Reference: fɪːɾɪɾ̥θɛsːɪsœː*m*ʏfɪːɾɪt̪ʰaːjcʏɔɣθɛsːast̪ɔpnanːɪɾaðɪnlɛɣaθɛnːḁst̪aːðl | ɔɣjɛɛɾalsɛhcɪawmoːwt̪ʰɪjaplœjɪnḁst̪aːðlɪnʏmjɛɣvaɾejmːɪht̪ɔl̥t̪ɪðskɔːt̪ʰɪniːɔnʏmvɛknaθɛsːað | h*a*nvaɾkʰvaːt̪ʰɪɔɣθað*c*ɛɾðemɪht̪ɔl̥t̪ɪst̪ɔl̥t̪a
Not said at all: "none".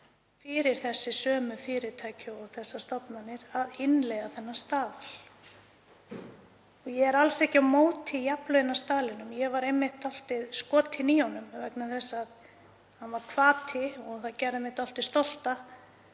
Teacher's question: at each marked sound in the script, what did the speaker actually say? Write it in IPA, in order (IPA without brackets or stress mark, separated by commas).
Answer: m, a, c